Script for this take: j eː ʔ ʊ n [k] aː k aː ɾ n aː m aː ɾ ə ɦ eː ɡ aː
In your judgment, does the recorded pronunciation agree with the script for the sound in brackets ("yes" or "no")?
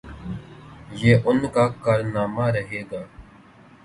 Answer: yes